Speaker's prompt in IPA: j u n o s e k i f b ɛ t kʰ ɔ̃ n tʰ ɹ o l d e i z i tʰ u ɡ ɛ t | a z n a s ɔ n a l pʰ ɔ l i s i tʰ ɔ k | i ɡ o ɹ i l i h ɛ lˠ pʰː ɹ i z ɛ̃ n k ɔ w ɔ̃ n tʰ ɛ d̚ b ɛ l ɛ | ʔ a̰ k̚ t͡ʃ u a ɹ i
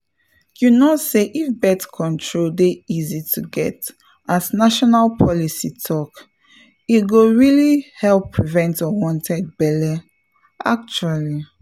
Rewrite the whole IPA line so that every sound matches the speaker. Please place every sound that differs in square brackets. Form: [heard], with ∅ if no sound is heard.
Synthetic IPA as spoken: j u n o s e [ʔ] i f b ɛ t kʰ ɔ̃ n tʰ ɹ o l d e i z i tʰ u ɡ ɛ t | a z n a [ʃ] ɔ n a l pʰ ɔ l i s i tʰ ɔ k | i ɡ o ɹ i l i h ɛ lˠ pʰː ɹ i [v] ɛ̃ n [t] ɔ w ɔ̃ n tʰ ɛ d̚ b ɛ l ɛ | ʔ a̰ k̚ t͡ʃ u a [l] i